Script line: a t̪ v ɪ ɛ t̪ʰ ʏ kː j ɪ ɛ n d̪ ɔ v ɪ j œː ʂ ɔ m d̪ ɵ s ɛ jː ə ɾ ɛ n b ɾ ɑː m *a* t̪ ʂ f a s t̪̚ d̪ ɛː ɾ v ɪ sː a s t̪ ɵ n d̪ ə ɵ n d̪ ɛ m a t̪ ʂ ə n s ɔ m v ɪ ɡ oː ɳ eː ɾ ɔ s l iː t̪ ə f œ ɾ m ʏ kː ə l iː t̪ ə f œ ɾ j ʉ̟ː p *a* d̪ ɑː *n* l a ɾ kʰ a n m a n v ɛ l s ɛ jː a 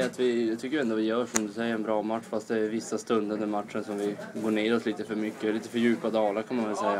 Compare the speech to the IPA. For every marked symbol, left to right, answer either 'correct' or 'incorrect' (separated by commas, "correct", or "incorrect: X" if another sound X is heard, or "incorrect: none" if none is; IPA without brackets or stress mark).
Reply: correct, correct, incorrect: none